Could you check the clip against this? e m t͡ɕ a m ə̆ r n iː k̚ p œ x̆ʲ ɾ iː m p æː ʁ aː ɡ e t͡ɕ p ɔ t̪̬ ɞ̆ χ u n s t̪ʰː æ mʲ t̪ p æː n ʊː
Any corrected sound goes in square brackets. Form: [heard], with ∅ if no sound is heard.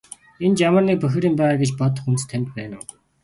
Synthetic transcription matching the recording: e [n] t͡ɕ a m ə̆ r n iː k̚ p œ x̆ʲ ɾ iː m p æː ʁ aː ɡ e t͡ɕ p ɔ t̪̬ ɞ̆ χ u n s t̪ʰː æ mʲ t̪ p æː n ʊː